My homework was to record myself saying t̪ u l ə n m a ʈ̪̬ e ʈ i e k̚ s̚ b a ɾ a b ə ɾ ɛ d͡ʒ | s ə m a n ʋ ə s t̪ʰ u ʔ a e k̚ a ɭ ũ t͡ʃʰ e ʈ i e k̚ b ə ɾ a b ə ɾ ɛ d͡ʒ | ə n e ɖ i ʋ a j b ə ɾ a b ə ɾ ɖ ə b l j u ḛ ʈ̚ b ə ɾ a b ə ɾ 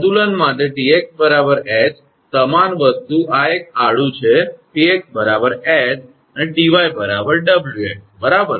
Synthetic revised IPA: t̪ u l ə n m a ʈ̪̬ e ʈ i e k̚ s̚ b ə ɾ a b ə ɾ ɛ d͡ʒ | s ə m a n ʋ ə s t̪ u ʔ a e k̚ a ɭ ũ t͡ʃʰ e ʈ i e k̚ b ə ɾ a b ə ɾ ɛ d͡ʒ | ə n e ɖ i ʋ a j b ə ɾ a b ə ɾ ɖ ə b l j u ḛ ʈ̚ b ə ɾ a b ə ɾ